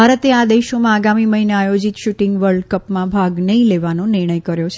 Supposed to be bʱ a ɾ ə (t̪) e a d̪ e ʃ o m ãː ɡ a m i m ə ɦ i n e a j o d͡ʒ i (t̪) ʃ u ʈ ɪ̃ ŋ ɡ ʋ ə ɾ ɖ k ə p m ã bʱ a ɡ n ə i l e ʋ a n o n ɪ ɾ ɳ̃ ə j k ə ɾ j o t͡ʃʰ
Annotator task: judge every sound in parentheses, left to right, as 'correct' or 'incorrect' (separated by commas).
correct, correct